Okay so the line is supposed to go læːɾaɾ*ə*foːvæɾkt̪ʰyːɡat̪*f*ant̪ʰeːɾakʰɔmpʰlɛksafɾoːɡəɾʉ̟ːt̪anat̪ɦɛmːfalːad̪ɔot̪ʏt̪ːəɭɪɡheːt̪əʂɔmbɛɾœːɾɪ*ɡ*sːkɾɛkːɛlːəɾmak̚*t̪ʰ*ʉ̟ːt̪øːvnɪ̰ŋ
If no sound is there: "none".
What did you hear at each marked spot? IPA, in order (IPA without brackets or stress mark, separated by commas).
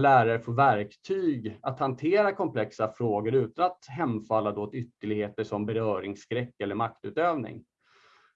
ə, h, ŋ, t̪